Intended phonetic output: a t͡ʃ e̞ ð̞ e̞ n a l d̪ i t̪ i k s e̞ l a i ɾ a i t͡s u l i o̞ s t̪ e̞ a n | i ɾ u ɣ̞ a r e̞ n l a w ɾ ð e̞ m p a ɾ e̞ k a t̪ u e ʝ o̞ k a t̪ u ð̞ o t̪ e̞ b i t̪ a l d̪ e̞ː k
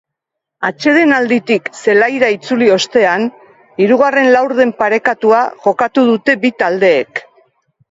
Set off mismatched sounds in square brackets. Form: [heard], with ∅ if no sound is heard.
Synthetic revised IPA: a t͡ʃ e̞ ð̞ e̞ n a l d̪ i t̪ i k s e̞ l a [j] ɾ a i t͡s u l i o̞ s t̪ e̞ a n | i ɾ u ɣ̞ a r e̞ n l a w ɾ ð e̞ m p a ɾ e̞ k a t̪ u [a] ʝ o̞ k a t̪ u ð̞ [u] t̪ e̞ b i t̪ a l d̪ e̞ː k